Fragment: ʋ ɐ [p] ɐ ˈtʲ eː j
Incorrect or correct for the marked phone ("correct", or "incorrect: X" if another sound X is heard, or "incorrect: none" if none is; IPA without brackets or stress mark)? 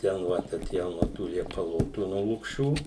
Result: incorrect: t